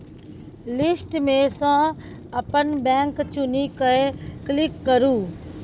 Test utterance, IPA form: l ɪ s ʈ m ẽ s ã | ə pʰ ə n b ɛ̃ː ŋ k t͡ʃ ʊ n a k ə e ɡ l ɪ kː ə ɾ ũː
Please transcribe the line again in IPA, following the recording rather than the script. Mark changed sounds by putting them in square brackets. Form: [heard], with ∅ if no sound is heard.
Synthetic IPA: l ɪ s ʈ m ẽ s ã | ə [p] ə n b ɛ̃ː ŋ k t͡ʃ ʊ n [i] k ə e [k] l ɪ kː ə ɾ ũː